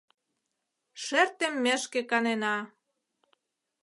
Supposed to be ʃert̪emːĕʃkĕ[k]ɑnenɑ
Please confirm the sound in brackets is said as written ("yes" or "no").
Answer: yes